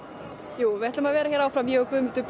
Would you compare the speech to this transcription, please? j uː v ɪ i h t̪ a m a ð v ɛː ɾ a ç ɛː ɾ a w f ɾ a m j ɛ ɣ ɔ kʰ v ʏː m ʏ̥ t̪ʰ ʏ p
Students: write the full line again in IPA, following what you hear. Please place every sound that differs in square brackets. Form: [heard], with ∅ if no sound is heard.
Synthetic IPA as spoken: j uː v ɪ [ɛ] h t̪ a m a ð v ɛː ɾ a ç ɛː ɾ a w f ɾ a m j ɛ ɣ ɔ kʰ v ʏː m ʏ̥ [t̪] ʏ p